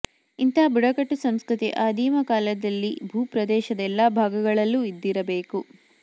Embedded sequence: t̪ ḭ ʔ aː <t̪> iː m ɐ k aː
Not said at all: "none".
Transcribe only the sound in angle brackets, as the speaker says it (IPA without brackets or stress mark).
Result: d̪